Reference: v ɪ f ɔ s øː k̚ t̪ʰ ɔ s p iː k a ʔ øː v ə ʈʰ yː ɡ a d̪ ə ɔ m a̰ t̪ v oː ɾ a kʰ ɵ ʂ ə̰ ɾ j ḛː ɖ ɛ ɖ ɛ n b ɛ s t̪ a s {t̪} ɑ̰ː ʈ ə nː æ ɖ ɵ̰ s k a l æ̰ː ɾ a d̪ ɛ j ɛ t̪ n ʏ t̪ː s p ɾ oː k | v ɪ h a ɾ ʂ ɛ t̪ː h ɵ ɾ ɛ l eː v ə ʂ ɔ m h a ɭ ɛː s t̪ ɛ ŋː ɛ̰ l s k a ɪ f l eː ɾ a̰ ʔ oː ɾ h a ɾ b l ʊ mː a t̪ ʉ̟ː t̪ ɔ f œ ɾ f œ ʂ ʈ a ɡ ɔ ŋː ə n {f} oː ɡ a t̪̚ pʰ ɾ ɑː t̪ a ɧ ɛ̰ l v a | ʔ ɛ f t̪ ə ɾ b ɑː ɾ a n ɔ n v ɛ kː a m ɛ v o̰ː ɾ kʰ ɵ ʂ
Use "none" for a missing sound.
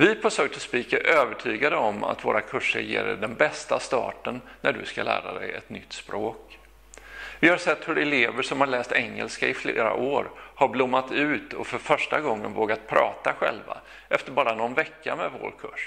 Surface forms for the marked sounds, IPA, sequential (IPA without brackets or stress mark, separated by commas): t̪, v